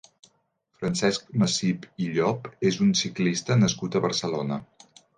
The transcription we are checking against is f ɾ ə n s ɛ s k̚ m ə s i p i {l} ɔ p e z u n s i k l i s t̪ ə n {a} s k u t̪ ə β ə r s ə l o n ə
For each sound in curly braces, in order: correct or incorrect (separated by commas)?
incorrect, incorrect